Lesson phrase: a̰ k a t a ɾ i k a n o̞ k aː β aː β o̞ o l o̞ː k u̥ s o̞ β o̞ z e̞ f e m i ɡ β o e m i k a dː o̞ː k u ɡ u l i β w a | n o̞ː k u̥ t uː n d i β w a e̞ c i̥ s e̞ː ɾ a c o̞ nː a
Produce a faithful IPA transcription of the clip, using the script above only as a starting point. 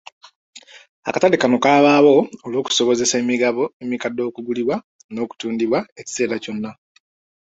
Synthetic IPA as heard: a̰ k a t a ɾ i k a n o̞ k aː β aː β o̞ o l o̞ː k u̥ s o̞ β o̞ z e̞ s e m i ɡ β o e m i k a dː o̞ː k u ɡ u l i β w a | n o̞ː k u̥ t uː n d i β w a e̞ c i̥ s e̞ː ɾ a c o̞ nː a